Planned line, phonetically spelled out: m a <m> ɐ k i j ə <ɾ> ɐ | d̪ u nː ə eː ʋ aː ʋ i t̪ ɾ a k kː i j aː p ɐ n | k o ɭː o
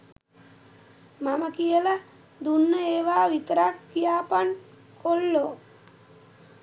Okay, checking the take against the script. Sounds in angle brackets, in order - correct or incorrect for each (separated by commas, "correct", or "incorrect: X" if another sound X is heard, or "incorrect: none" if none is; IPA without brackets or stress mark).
correct, incorrect: l